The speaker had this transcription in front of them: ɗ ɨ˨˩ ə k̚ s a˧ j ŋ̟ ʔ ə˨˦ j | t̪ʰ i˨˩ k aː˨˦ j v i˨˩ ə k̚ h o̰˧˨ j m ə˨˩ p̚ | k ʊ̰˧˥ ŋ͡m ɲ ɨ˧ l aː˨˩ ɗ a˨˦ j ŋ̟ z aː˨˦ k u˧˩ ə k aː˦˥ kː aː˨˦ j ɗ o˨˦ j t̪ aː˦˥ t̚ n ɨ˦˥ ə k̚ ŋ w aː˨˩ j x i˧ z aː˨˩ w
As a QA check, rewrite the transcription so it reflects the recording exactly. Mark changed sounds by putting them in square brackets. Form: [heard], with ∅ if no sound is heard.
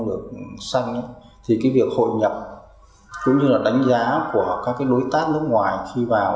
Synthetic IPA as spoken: ɗ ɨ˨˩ ə k̚ s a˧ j ŋ̟ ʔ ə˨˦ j | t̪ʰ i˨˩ k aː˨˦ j v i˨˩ ə k̚ h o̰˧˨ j [ɲ] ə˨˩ p̚ | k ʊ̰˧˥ ŋ͡m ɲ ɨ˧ l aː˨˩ ɗ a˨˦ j ŋ̟ z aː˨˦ k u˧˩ ə k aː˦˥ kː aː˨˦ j ɗ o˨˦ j t̪ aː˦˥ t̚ n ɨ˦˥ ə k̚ ŋ w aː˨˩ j x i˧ [v] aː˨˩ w

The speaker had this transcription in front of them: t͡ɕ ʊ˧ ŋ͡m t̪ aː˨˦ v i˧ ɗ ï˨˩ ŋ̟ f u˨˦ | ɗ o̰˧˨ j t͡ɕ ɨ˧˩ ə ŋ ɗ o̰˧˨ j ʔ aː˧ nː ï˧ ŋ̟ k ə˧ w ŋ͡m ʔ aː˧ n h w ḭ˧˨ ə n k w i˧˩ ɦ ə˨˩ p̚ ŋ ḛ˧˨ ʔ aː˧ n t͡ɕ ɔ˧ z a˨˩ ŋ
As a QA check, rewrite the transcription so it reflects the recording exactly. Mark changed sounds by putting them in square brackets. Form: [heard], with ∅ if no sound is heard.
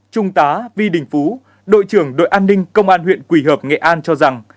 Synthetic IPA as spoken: t͡ɕ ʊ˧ ŋ͡m t̪ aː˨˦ v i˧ ɗ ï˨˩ ŋ̟ f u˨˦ | ɗ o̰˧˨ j t͡ɕ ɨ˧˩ ə ŋ ɗ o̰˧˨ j ʔ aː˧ nː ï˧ ŋ̟ k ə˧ w ŋ͡m ʔ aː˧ n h w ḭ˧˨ ə n k w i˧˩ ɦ [əː˨˩] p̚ ŋ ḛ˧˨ ʔ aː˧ n t͡ɕ ɔ˧ z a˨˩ ŋ

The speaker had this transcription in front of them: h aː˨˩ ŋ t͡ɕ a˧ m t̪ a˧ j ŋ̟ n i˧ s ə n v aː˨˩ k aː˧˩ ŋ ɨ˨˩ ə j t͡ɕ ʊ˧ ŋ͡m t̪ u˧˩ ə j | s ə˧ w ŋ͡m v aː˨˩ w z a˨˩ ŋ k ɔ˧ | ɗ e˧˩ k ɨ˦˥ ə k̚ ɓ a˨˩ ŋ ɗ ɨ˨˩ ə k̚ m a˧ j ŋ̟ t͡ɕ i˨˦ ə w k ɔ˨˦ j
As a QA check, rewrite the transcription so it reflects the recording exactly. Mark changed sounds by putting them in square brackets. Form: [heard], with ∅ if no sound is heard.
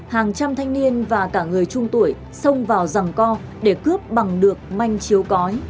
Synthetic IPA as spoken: h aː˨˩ ŋ t͡ɕ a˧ m [t̪ʰ] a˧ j ŋ̟ n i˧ [∅] ə n v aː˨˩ k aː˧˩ ŋ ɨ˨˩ ə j t͡ɕ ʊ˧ ŋ͡m t̪ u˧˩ ə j | s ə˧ w ŋ͡m v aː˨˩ w z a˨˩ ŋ k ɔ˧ | ɗ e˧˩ k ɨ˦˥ ə [p̚] ɓ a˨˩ ŋ ɗ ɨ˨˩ ə k̚ m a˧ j ŋ̟ t͡ɕ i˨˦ ə w k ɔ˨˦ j

